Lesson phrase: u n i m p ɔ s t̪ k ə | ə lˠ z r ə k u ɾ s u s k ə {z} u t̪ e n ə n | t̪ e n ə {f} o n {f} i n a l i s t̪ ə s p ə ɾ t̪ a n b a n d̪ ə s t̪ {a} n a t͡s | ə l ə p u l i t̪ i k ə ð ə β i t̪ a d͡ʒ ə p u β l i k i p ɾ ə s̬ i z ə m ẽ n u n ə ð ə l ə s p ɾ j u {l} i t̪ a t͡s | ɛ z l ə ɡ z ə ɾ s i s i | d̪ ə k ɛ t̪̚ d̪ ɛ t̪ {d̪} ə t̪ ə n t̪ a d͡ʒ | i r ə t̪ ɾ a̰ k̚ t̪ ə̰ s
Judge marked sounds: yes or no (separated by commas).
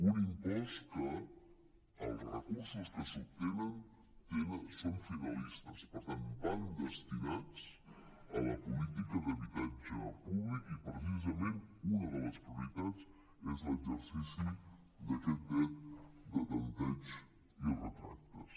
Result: no, no, yes, no, no, yes